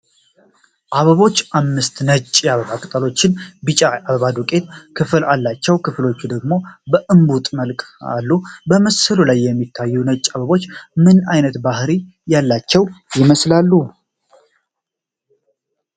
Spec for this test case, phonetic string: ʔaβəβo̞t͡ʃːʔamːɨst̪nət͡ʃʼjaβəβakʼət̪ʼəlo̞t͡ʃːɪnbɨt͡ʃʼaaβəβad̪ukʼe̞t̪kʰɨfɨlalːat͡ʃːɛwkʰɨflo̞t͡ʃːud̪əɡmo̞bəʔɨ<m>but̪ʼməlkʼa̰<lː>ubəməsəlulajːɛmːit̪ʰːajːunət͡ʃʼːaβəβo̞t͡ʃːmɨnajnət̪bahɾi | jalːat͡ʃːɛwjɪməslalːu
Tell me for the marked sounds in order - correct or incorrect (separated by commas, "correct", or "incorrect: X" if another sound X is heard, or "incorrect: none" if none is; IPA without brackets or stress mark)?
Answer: correct, correct